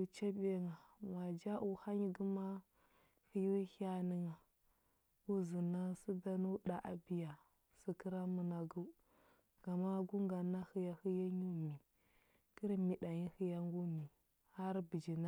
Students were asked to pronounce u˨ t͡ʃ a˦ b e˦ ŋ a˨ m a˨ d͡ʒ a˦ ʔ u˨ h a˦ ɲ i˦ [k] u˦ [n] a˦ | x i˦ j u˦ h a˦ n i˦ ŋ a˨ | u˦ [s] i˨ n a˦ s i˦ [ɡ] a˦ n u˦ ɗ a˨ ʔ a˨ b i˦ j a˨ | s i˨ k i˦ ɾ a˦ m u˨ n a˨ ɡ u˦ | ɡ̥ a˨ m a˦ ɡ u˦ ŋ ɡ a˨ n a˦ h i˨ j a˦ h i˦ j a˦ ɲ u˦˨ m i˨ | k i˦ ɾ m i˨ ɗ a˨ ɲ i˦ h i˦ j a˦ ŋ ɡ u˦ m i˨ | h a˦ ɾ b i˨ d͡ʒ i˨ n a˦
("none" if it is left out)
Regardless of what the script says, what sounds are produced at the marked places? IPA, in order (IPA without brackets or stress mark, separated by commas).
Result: ɡ, m, z, d